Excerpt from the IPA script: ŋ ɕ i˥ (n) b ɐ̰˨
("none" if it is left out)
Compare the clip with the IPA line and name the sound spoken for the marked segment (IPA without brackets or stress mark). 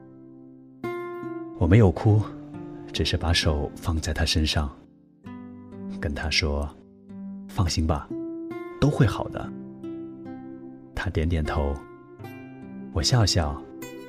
ŋ